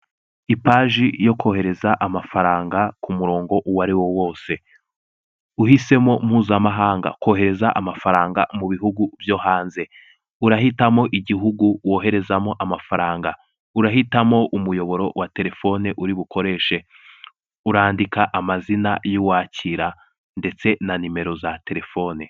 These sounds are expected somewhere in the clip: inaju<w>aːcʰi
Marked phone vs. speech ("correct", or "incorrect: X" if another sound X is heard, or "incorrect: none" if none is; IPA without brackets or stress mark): correct